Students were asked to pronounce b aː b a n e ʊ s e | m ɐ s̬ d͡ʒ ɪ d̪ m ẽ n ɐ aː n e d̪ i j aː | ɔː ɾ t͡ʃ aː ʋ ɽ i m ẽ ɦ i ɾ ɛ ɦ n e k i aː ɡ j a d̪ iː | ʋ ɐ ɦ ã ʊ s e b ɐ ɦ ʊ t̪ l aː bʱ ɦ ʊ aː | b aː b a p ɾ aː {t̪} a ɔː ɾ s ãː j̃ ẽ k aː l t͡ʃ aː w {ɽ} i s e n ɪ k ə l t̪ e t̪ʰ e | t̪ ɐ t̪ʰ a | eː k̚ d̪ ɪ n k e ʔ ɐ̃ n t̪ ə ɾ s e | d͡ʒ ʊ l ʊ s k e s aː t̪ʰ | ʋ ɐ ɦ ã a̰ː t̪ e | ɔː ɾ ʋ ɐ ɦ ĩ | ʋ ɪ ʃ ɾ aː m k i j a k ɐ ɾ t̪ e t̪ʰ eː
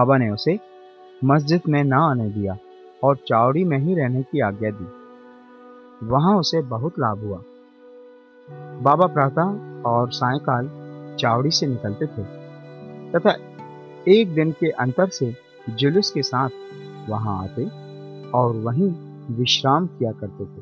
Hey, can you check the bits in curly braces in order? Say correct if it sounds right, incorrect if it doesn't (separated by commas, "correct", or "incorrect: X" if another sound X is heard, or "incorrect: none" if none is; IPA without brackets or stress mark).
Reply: correct, correct